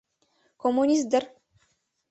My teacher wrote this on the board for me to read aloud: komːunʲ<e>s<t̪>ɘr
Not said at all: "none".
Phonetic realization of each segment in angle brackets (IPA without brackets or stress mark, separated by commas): i, d̪